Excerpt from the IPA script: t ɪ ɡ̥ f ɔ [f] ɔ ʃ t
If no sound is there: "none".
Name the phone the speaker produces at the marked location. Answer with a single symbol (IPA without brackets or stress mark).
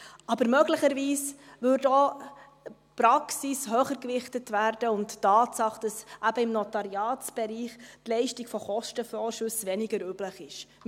χ